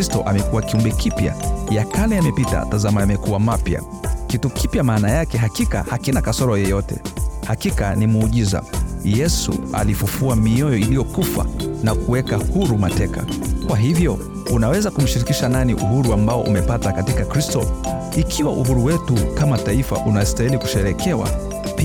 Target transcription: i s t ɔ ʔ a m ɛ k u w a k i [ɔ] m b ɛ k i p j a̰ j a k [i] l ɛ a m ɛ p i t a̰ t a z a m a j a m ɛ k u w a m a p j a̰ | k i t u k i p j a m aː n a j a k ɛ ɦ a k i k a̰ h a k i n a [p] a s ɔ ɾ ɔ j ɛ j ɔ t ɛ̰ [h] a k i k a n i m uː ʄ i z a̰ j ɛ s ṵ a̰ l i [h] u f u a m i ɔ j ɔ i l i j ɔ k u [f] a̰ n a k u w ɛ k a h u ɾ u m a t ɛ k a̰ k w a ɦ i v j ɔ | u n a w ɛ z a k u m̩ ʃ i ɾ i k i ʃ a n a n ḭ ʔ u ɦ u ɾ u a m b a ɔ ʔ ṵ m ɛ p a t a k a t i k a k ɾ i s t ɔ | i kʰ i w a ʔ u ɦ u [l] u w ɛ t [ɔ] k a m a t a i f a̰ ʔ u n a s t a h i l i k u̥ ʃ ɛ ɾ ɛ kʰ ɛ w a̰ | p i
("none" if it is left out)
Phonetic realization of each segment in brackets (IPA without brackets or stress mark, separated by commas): u, a, k, h, f, f, ɾ, u